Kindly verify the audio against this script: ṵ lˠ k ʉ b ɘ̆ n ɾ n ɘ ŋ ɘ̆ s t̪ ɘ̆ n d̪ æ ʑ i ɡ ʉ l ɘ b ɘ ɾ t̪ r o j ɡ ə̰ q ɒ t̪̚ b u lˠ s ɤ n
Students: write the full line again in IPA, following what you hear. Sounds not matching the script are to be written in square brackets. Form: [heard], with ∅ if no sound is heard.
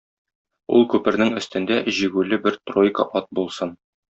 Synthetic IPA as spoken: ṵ lˠ k ʉ [p] ɘ̆ [∅] ɾ n ɘ ŋ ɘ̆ s t̪ ɘ̆ n d̪ æ ʑ i ɡ ʉ l ɘ b ɘ ɾ t̪ r o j [k] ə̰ [ʔ] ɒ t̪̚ b u lˠ s ɤ n